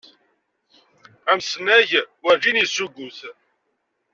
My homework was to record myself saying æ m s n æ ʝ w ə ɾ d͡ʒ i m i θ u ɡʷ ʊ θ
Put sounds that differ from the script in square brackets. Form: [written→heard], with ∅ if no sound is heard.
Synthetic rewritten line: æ m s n æ ʝ w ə ɾ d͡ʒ i [m→n] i [θ→s] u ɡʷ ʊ θ